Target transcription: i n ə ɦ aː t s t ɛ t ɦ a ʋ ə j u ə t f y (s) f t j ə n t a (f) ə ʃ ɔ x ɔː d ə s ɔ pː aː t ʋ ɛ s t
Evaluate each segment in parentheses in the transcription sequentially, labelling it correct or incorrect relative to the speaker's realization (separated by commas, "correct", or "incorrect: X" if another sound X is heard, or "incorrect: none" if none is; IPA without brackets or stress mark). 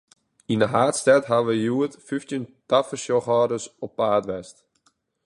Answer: incorrect: none, correct